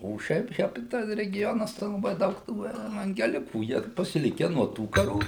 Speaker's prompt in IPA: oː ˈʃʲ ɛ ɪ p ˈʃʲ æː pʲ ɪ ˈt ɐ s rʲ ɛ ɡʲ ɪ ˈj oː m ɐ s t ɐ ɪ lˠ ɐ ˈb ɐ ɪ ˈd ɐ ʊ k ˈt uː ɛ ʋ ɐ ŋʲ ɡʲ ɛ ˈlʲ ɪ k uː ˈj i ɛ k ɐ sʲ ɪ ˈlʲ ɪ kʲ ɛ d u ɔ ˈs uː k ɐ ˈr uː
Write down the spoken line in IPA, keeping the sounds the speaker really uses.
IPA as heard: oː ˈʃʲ ɛ ɪ p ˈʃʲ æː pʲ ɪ ˈt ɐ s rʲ ɛ ɡʲ ɪ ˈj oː n ɐ s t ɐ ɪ lˠ ɐ ˈb ɐ ɪ ˈd ɐ ʊ k ˈt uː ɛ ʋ ɐ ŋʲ ɡʲ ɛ ˈlʲ ɪ k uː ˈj i ɛ p ɐ sʲ ɪ ˈlʲ ɪ kʲ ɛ n u ɔ ˈt uː k ɐ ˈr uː